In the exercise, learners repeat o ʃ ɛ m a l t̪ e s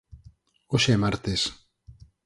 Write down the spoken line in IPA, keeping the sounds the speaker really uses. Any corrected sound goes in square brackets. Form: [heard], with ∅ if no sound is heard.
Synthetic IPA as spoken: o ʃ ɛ m a [ɾ] t̪ e s